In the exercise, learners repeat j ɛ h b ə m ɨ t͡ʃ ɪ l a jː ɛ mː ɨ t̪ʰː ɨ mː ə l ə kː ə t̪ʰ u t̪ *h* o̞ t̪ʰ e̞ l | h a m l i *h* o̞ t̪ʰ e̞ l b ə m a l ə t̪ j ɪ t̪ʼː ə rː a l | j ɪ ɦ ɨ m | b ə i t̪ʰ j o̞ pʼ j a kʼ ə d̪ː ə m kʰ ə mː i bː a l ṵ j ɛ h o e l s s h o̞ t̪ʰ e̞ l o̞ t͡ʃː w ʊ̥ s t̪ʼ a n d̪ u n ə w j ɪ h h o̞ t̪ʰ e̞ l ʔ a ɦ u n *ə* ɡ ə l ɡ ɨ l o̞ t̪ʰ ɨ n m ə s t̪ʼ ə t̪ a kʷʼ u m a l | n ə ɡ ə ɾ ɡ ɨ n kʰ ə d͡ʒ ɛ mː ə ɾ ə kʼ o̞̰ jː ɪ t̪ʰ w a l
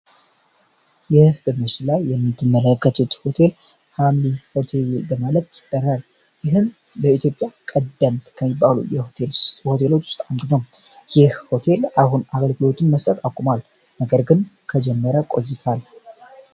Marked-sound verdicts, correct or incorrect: correct, correct, incorrect: a

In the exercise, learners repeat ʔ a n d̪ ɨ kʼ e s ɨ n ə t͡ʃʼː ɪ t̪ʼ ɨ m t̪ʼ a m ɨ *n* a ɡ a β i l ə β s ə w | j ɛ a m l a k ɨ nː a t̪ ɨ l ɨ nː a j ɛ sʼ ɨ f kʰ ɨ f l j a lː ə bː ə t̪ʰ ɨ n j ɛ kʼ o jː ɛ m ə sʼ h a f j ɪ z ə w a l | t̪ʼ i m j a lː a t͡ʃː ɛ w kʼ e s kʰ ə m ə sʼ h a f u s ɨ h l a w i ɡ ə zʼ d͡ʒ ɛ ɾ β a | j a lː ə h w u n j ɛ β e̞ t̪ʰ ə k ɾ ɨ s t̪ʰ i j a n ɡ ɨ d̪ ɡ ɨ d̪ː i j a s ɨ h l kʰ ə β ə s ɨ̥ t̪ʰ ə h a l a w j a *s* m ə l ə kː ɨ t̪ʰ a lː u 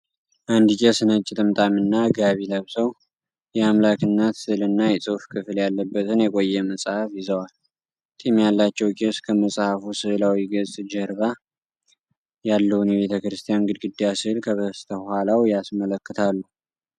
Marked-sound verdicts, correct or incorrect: incorrect: nː, correct

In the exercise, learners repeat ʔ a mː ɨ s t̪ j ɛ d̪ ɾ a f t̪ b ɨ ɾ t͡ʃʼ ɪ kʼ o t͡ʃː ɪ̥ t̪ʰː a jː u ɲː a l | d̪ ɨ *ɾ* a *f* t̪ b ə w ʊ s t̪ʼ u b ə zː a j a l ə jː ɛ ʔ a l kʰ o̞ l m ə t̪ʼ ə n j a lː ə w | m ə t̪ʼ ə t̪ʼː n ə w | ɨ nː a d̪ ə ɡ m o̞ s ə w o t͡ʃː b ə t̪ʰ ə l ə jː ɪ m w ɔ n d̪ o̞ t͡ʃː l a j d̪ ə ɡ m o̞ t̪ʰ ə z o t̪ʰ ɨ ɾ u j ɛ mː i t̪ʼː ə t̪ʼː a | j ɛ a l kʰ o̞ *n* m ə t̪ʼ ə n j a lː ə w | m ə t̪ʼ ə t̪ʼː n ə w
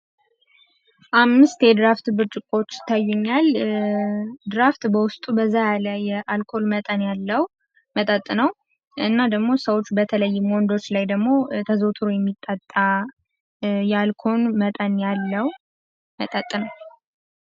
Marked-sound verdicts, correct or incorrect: correct, correct, correct

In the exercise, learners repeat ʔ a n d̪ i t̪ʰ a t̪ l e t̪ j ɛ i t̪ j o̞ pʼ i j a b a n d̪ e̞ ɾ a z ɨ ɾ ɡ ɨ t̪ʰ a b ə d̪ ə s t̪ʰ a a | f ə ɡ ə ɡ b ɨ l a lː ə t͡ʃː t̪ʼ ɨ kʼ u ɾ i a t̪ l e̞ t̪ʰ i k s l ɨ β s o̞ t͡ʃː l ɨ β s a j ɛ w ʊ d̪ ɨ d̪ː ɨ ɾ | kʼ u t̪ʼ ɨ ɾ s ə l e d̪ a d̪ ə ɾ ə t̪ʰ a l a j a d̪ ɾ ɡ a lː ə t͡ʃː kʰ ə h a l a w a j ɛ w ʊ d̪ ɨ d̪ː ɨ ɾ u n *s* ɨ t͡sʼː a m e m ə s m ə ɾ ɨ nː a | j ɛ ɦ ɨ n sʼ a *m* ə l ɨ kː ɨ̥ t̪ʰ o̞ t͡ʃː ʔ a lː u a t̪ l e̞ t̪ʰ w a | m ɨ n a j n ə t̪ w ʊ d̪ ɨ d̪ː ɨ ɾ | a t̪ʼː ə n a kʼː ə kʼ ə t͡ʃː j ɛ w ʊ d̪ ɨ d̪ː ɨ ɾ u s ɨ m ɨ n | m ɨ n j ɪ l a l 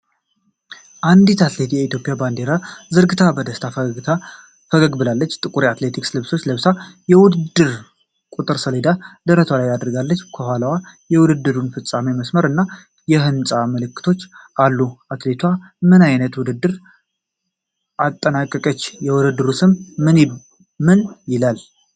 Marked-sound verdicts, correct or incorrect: incorrect: f, correct

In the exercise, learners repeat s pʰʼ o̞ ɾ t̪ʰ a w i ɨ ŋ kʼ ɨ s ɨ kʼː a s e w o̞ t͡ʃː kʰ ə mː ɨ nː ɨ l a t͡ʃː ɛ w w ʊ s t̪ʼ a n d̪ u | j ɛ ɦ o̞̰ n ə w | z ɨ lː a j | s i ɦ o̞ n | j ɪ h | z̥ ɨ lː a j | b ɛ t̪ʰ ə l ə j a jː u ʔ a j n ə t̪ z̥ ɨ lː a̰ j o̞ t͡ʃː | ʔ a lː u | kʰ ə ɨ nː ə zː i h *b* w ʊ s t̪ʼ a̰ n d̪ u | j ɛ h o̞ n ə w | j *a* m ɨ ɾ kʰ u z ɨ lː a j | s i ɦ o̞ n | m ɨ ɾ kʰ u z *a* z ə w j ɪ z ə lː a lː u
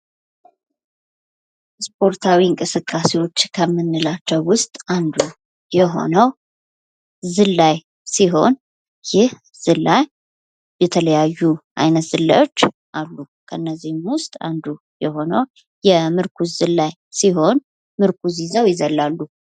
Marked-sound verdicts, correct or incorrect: incorrect: m, incorrect: ɛ, incorrect: i

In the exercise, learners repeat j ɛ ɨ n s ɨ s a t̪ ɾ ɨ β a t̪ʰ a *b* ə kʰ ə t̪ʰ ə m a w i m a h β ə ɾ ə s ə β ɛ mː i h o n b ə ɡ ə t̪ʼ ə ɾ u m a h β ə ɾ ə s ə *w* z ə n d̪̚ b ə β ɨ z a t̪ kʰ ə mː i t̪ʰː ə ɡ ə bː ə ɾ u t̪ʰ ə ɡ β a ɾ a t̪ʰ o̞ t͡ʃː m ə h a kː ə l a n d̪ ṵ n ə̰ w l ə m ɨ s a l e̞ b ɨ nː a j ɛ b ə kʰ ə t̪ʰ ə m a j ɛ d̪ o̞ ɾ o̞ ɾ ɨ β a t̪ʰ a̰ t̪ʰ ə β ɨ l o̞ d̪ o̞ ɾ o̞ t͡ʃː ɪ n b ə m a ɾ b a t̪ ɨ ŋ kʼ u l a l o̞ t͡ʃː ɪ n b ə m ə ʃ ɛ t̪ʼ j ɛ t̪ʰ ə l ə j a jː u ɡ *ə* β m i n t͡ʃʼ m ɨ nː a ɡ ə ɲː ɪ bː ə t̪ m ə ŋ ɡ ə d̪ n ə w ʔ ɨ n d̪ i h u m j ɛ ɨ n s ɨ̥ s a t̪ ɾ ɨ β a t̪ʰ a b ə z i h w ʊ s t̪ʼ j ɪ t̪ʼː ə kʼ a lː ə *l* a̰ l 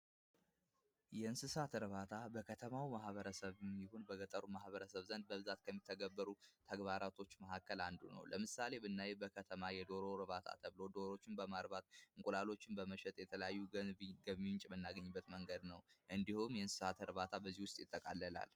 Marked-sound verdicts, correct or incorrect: correct, incorrect: β, correct, correct

